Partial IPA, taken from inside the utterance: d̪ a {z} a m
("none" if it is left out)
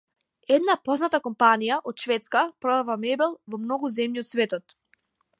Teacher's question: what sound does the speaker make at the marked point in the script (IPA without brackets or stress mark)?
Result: v